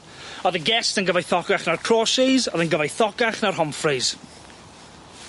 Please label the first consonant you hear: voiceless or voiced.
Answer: voiced